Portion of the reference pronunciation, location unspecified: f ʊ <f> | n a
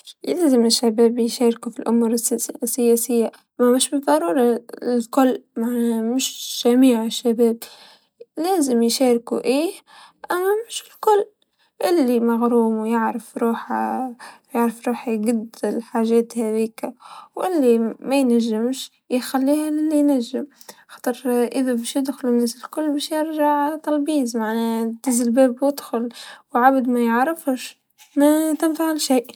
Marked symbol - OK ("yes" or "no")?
no